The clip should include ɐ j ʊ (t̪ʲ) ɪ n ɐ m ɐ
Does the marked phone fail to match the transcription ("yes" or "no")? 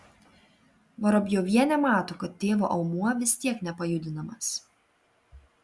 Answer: yes